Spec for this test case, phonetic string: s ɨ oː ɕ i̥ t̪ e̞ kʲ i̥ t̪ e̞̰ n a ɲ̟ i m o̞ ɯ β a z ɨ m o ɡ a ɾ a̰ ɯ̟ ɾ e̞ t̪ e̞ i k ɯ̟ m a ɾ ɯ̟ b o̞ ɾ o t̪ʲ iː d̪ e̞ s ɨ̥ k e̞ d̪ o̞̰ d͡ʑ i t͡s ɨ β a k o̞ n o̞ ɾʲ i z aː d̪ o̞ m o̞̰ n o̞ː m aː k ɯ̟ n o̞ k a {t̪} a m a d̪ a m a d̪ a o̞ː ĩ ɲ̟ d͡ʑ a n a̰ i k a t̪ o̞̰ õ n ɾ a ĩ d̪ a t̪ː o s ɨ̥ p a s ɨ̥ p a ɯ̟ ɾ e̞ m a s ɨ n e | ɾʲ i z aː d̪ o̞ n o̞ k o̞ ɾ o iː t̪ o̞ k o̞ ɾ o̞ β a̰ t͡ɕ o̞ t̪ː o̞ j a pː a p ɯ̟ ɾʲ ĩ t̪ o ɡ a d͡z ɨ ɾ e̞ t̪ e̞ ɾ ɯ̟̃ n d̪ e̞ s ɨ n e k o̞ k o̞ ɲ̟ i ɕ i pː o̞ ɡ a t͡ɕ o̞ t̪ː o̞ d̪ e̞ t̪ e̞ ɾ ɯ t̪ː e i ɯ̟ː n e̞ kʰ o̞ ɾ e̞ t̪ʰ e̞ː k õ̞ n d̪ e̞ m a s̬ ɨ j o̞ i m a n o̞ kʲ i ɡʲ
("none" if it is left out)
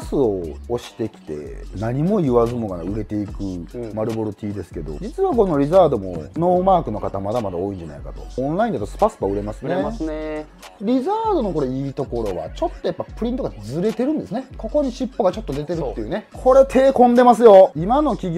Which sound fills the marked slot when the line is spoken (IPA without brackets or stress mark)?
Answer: t̪